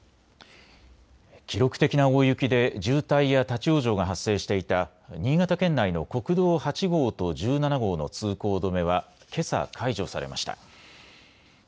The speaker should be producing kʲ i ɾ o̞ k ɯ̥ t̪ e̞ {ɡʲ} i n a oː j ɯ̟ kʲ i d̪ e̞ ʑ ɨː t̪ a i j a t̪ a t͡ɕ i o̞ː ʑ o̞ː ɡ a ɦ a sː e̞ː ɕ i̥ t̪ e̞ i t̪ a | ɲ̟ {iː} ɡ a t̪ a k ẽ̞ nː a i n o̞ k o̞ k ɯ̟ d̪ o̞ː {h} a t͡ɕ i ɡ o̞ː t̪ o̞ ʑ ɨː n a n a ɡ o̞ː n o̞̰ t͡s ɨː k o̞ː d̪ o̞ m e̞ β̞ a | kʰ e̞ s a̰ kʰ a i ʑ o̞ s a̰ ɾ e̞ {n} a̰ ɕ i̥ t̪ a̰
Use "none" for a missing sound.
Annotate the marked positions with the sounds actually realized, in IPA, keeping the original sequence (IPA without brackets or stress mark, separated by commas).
kʲ, iː, h, m